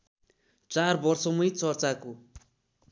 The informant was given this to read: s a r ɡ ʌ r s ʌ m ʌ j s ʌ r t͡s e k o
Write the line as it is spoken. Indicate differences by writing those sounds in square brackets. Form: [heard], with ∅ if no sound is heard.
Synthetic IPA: [t͡s] a r [b] ʌ r s ʌ m ʌ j [t͡s] ʌ r t͡s [a] k o